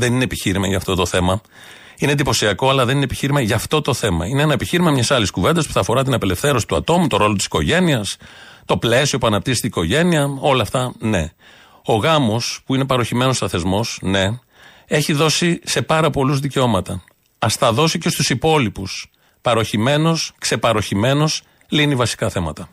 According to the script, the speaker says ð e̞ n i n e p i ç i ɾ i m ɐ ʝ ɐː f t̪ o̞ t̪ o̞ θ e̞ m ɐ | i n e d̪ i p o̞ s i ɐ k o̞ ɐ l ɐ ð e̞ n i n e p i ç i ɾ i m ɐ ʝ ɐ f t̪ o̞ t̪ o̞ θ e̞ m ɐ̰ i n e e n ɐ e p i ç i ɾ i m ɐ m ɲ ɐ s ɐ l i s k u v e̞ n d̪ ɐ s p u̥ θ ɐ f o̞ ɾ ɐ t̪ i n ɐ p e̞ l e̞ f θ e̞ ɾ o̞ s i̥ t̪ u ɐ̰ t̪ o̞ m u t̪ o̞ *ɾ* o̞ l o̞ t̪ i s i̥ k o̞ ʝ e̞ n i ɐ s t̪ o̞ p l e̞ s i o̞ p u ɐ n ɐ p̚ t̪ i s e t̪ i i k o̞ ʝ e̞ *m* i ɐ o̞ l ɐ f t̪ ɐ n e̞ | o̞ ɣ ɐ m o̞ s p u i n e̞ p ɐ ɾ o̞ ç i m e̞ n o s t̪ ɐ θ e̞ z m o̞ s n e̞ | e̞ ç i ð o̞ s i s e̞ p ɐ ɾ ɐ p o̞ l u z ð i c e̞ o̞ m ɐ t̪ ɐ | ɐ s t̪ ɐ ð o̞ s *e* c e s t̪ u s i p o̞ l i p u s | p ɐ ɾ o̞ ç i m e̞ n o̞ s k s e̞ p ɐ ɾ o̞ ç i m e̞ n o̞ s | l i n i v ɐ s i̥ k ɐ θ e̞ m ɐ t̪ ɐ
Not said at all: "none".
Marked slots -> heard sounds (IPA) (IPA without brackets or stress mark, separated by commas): ɾ, n, i